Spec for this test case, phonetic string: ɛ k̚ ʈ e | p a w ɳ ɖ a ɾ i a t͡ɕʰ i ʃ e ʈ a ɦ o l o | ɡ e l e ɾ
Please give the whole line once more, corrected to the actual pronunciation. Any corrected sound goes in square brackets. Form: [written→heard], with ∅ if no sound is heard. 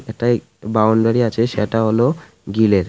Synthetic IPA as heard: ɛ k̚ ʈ [e→a] | [p→b] a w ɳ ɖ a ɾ i a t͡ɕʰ [i→e] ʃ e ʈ a ɦ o l o | ɡ [e→i] l e ɾ